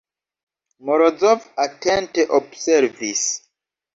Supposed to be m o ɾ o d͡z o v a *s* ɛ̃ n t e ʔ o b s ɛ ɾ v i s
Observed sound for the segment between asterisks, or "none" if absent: t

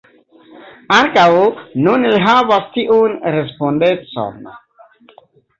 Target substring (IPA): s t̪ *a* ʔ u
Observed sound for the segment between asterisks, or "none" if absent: i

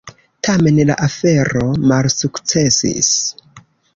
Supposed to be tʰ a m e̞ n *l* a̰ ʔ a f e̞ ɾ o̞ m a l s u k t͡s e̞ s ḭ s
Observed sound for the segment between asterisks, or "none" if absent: l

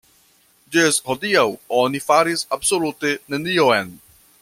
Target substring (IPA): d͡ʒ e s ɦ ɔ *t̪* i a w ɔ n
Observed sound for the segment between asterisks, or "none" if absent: d̪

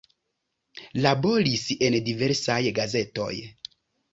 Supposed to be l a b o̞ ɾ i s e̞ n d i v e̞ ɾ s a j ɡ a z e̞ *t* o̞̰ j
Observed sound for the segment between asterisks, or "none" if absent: t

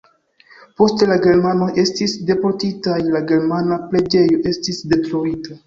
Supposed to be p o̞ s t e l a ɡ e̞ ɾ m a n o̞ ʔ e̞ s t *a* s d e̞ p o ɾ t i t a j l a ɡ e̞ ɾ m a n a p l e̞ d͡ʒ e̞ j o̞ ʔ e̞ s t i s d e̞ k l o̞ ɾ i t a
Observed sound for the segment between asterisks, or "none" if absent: i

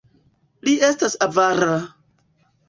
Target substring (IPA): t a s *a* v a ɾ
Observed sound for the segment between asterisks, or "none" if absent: a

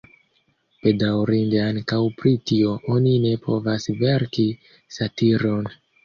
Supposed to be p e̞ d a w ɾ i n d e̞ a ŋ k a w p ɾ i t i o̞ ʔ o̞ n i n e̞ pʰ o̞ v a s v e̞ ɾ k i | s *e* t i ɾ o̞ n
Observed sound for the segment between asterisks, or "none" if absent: a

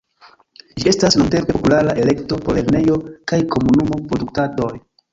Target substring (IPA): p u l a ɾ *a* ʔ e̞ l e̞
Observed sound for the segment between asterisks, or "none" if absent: a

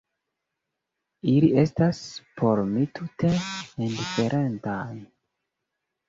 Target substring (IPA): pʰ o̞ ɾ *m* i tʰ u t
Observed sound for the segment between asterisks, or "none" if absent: m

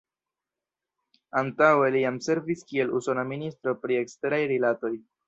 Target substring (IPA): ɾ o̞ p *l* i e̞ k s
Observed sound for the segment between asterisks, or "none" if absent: ɾ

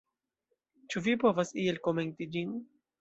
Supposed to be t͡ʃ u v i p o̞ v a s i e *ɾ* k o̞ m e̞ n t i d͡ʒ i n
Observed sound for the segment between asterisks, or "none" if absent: l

